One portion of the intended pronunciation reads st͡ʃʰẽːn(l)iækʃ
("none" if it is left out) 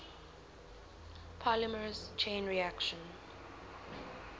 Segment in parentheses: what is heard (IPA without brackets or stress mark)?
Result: ɹ